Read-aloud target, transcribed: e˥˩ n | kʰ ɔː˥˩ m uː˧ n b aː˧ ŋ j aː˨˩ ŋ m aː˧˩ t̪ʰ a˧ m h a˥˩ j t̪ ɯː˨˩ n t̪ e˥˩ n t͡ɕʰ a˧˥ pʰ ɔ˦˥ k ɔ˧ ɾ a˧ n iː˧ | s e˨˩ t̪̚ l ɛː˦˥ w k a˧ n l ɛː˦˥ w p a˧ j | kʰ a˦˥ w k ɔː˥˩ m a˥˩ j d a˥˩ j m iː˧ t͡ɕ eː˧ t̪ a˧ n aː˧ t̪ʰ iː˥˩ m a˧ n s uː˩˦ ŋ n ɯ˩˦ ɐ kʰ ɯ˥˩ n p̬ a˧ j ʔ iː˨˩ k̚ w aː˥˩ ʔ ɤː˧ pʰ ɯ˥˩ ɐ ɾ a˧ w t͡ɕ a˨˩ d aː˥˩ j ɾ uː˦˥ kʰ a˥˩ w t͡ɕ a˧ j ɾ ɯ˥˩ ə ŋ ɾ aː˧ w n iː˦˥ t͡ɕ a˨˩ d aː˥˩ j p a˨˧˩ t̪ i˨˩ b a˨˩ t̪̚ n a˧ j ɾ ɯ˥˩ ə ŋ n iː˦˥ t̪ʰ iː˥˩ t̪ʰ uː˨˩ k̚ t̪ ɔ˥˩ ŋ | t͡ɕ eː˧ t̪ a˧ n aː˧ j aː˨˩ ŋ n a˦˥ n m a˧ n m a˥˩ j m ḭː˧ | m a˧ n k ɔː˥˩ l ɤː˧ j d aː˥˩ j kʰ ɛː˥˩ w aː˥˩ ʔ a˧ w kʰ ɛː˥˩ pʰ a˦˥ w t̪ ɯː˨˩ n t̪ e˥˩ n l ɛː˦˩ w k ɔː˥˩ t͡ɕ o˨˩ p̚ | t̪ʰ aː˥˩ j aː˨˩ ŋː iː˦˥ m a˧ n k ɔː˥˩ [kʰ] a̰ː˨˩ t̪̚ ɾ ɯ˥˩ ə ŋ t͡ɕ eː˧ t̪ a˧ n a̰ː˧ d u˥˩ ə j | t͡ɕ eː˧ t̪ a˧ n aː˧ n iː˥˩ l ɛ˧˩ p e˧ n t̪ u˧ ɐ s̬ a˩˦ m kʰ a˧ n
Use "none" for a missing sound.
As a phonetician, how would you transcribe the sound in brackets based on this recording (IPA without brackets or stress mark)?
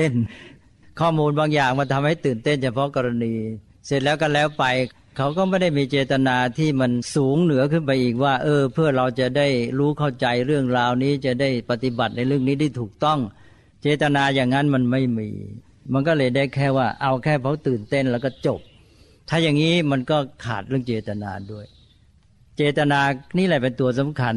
kʰ